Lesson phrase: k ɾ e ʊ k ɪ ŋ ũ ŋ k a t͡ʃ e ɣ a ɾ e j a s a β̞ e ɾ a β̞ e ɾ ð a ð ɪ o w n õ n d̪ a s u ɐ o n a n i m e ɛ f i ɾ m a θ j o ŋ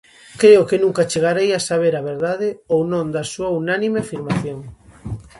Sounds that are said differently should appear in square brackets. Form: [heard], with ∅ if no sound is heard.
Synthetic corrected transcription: k ɾ e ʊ k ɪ [n] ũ ŋ k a t͡ʃ e ɣ a ɾ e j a s a β̞ e ɾ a β̞ e ɾ ð a ð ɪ o w n õ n d̪ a s u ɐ [u] n a n i m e [a] f i ɾ m a θ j o ŋ